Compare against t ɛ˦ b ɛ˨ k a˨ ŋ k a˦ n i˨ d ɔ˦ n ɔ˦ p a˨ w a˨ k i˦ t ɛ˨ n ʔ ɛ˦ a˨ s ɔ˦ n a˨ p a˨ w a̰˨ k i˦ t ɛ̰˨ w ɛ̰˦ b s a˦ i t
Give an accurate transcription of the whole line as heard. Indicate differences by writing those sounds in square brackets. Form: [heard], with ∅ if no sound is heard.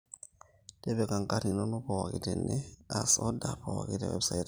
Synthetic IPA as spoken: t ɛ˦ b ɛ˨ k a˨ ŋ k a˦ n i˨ [n] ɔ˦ n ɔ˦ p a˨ w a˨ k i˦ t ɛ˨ n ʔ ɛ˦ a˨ s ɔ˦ [d] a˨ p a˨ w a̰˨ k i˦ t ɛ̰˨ w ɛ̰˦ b s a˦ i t